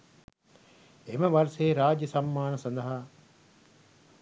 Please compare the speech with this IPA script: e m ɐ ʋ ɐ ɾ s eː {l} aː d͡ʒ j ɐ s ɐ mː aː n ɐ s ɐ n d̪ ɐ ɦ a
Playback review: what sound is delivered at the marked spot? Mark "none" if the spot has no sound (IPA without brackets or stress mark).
ɾ